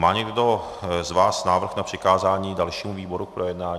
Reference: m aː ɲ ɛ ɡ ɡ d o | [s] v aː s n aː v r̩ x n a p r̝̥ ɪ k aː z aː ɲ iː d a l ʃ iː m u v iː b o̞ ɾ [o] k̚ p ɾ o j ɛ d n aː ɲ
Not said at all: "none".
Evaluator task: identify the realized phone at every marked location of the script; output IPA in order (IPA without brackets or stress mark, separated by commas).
z, u